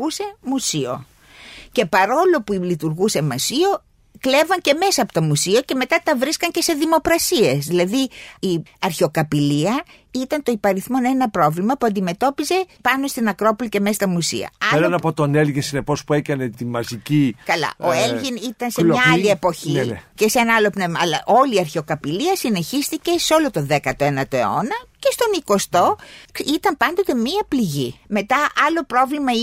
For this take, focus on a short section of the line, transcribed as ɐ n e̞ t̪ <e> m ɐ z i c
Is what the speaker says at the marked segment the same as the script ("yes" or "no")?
no